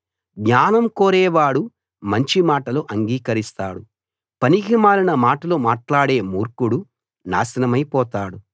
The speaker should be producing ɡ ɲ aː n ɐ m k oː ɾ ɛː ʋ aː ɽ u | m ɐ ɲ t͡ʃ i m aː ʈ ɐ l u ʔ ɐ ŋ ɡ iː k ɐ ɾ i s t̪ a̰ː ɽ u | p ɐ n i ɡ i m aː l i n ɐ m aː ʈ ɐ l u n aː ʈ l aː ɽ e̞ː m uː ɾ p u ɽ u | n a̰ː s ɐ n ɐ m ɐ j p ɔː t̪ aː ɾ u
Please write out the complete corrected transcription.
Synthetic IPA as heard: ɡ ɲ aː n ɐ m k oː ɾ ɛː ʋ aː ɽ u | m ɐ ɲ t͡ʃ i m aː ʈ ɐ l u ʔ ɐ ŋ ɡ iː k ɐ ɾ i s t̪ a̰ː ɽ u | p ɐ n i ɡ i m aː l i n ɐ m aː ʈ ɐ l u m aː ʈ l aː ɽ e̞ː m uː ɾ k u ɽ u | n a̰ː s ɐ n ɐ m ɐ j p ɔː t̪ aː ɽ u

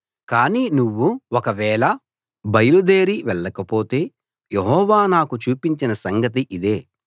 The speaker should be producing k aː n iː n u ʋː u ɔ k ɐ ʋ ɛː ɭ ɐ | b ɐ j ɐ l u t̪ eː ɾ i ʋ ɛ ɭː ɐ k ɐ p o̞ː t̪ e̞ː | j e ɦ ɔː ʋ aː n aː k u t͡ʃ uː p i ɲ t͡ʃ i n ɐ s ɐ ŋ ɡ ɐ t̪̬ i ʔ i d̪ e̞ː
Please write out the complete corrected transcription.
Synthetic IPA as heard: k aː n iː n u ʋː u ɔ k ɐ ʋ ɛː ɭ ɐ | b ɐ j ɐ l u d̪ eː ɾ i ʋ ɛ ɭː ɐ k ɐ p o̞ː t̪ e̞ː | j e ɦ ɔː ʋ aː n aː k u t͡ʃ uː p i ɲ t͡ʃ i n ɐ s ɐ ŋ ɡ ɐ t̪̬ i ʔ i d̪ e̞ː

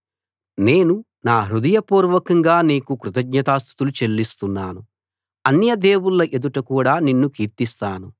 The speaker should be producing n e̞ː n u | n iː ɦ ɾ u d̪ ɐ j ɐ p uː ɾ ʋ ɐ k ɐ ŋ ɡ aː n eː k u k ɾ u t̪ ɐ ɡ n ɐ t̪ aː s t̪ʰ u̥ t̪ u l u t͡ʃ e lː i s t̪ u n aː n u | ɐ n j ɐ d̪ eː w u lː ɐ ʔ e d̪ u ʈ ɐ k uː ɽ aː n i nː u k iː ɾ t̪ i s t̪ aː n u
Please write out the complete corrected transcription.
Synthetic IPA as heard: n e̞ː n u | n aː ɦ ɾ u d̪ ɐ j ɐ p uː ɾ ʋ ɐ k ɐ ŋ ɡ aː n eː k u k ɾ u t̪ ɐ ɡ ɲ ɐ t̪ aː s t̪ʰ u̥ t̪ u l u t͡ʃ e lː i s t̪ u nː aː n u | ɐ n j ɐ d̪ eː w u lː ɐ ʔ e d̪ u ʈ ɐ k uː ɽ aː n i nː u k iː ɾ t̪ i s t̪ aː n u

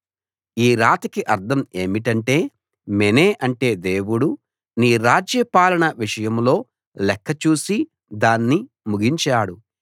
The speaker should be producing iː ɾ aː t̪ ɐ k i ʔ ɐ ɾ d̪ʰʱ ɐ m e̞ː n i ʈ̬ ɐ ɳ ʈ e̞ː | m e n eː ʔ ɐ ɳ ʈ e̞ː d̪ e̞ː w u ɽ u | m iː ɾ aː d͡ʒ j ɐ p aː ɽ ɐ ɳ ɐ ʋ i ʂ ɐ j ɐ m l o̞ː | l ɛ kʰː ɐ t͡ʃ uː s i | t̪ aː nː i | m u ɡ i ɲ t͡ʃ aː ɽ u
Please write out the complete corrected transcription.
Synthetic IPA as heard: iː ɾ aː t̪ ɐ k i ʔ ɐ ɾ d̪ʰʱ ɐ m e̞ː m i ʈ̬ ɐ ɳ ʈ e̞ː | m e n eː ʔ ɐ ɳ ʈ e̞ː d̪ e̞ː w u ɽ u | n iː ɾ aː d͡ʒ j ɐ p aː l ɐ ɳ ɐ ʋ i ʂ ɐ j ɐ m l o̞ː | l ɛ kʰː ɐ t͡ʃ uː s i | d̪ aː nː i | m u ɡ i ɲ t͡ʃ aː ɽ u

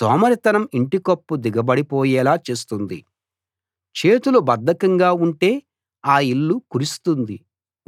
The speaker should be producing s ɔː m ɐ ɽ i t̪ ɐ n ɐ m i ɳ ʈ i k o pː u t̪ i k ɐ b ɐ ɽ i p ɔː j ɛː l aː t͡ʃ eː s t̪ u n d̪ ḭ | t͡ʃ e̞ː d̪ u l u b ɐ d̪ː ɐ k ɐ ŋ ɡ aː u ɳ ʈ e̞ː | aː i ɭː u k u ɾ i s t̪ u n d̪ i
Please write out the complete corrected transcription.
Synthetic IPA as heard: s ɔː m ɐ ɾ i t̪ ɐ n ɐ m i ɳ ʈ i k o pː u d̪ i ɡ ɐ b ɐ ɽ i p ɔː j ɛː l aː t͡ʃ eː s t̪ u n d̪ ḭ | t͡ʃ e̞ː t̪ u l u b ɐ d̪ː ɐ k ɐ ŋ ɡ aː u ɳ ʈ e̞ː | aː i ɭː u k u ɾ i s t̪ u n d̪ i

